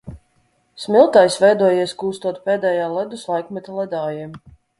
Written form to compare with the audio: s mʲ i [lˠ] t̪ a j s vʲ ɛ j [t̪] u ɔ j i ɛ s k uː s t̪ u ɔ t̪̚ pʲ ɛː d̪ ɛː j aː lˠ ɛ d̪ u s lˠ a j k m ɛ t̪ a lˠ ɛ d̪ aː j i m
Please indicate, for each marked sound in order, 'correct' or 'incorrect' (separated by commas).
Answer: correct, incorrect